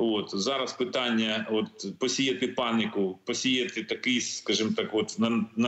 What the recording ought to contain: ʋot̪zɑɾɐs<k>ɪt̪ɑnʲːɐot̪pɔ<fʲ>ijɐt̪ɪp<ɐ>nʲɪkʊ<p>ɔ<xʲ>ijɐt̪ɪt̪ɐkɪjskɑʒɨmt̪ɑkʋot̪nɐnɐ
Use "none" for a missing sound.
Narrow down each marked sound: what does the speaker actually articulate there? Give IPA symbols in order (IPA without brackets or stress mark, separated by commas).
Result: p, sʲ, ɑ, p, sʲ